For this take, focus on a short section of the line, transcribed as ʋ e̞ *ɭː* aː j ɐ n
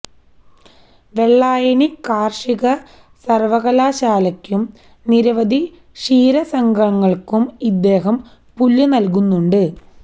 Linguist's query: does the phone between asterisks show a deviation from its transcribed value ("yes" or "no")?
no